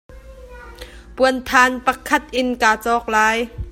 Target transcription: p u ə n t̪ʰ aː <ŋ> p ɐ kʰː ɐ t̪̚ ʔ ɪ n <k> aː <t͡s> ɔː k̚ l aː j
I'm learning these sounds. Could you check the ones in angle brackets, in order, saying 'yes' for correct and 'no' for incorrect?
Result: no, yes, yes

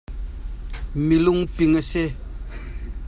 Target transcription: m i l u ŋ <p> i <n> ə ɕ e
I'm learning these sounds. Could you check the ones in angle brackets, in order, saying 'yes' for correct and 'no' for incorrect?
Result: yes, no

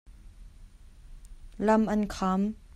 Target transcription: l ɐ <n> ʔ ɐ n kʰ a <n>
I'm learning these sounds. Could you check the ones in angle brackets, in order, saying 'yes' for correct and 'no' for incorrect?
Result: no, no

